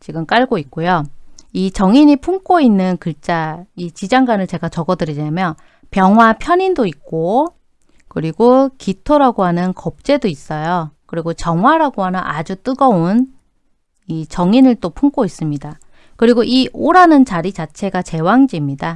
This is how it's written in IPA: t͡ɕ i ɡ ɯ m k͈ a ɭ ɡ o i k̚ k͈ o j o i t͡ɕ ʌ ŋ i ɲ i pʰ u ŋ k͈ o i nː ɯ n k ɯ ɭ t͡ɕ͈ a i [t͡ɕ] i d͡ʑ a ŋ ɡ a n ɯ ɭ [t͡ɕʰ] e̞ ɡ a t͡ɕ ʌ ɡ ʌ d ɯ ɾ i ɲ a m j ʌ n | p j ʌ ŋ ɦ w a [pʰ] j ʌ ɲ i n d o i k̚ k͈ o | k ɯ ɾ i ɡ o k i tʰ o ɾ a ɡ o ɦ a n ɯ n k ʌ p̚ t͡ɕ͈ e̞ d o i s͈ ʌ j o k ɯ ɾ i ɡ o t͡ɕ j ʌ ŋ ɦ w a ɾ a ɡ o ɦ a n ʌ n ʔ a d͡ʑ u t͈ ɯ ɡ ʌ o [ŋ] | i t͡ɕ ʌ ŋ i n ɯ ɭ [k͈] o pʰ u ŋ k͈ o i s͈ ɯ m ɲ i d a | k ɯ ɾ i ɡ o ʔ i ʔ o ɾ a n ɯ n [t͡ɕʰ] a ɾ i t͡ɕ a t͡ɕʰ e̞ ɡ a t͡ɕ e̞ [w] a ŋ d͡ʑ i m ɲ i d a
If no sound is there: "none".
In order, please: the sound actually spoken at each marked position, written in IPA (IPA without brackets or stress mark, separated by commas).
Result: t͡ɕ, t͡ɕ, pʰ, n, t͈, t͡ɕ, w